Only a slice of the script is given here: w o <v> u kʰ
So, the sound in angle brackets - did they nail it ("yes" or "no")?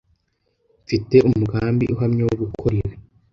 no